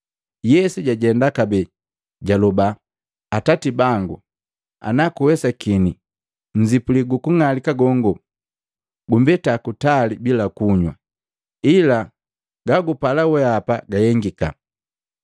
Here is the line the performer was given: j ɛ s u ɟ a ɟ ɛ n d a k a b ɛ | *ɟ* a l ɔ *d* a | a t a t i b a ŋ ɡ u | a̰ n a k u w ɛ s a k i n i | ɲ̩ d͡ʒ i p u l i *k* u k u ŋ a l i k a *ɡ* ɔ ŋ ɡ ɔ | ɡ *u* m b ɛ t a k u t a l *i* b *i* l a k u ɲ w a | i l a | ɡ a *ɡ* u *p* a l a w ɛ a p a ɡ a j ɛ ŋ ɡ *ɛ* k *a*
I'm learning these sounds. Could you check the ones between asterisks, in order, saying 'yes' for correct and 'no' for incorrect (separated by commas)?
yes, no, no, yes, yes, yes, yes, yes, yes, no, yes